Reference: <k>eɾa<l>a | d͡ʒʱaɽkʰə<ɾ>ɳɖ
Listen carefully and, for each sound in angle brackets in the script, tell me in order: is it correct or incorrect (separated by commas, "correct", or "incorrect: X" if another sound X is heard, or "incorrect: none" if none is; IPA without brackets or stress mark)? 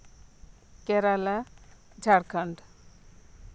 correct, correct, incorrect: none